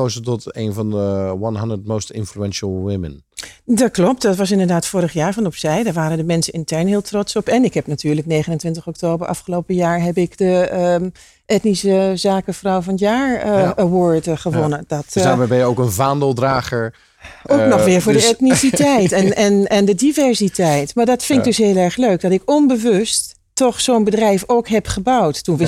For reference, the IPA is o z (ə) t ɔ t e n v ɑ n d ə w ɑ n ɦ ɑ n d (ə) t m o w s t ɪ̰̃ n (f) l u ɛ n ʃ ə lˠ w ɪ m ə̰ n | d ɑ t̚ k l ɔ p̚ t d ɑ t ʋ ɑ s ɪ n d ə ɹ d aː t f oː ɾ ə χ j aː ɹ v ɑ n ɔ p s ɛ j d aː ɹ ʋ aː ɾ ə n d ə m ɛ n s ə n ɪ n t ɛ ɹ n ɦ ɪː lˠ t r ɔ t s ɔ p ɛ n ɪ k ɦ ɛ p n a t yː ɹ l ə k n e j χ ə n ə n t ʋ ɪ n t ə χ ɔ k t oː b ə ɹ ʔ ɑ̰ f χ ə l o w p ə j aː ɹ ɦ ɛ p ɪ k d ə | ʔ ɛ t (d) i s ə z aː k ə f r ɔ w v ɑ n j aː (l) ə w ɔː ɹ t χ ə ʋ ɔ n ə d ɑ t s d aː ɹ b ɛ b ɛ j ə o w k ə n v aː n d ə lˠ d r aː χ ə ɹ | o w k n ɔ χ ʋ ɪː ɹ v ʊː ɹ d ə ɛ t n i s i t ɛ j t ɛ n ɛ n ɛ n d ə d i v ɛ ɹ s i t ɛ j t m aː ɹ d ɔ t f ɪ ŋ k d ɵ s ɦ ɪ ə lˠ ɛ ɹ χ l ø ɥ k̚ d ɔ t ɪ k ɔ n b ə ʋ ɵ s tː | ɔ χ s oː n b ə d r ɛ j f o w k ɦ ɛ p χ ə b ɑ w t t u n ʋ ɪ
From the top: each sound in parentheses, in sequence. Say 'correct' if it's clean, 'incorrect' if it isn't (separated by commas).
correct, correct, correct, incorrect, incorrect